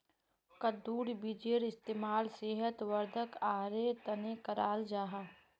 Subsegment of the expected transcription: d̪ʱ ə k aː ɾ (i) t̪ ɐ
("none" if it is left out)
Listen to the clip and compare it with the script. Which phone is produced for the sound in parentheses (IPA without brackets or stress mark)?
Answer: e